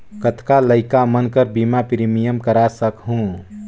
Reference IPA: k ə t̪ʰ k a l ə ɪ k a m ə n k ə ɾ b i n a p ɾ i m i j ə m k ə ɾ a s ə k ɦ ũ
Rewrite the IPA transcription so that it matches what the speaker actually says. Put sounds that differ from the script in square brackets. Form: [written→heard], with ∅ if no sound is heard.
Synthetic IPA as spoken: k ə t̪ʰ k a l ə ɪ k a m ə n k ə ɾ b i [n→m] a p ɾ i m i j ə m k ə ɾ a s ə k ɦ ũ